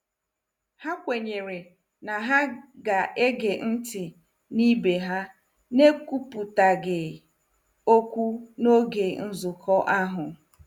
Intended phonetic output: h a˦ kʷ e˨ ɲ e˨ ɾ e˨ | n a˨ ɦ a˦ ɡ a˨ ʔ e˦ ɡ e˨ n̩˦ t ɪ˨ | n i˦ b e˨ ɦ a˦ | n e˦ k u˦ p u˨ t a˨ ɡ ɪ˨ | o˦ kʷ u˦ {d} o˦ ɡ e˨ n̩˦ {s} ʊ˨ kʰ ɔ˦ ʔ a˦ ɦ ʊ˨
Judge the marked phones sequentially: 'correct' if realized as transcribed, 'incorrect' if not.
incorrect, incorrect

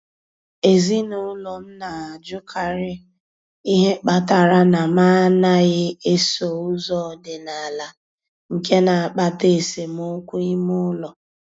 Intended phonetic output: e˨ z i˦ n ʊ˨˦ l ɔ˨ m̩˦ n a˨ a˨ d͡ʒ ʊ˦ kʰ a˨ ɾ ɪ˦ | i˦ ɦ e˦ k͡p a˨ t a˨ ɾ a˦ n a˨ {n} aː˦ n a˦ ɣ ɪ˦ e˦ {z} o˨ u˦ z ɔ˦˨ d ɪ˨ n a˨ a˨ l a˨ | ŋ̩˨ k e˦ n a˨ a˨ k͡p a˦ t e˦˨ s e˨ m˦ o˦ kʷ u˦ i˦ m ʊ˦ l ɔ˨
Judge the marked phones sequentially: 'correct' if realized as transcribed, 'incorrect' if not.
incorrect, incorrect

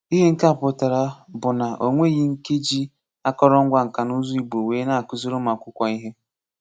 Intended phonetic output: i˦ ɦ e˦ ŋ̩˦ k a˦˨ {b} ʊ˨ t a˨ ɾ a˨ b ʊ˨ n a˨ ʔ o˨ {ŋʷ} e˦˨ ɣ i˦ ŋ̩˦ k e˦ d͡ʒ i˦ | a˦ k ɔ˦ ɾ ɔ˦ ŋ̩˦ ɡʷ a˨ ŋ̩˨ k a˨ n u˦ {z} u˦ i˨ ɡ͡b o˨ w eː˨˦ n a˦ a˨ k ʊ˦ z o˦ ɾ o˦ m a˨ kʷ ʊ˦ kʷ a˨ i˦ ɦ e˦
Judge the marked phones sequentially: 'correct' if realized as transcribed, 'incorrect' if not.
incorrect, correct, correct

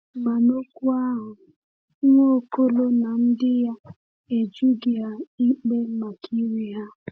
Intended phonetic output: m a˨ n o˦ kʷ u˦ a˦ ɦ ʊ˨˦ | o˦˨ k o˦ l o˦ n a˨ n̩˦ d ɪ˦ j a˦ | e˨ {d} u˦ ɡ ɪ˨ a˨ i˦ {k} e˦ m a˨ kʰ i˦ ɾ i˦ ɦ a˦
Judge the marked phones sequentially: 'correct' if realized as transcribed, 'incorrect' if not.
incorrect, incorrect

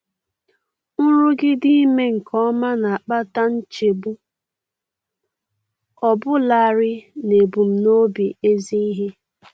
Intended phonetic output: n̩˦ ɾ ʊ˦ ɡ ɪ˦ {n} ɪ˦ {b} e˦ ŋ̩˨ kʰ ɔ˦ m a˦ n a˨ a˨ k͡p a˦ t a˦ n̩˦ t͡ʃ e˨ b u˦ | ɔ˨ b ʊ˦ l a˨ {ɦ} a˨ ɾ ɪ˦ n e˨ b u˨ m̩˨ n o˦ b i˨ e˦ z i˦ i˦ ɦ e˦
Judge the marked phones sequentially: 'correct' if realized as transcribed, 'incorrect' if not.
incorrect, incorrect, incorrect

